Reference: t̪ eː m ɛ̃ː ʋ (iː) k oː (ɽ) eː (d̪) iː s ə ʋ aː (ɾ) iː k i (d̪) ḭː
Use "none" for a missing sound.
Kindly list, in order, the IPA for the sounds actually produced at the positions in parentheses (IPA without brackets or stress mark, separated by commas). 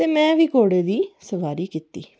iː, ɽ, d̪, ɾ, t̪